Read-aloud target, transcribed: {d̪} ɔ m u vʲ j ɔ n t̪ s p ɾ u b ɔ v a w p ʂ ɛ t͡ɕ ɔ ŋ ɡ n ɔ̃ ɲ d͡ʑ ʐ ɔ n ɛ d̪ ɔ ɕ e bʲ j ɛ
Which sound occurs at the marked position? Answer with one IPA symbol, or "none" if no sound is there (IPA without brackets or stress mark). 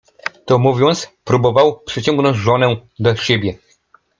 t̪